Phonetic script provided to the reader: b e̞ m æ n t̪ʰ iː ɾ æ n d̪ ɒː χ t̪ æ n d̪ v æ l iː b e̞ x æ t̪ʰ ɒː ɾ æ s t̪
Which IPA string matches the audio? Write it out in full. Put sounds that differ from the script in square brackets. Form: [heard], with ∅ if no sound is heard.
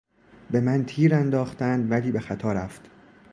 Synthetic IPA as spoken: b e̞ m æ n t̪ʰ iː ɾ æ n d̪ ɒː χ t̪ æ n d̪ v æ l iː b e̞ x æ t̪ʰ ɒː ɾ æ [f] t̪